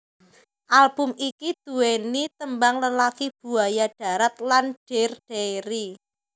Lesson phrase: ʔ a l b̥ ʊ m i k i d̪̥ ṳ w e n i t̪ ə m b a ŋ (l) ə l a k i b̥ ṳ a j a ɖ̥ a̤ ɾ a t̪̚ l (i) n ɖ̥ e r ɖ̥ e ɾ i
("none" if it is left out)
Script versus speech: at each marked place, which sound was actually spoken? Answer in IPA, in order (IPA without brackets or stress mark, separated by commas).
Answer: l, a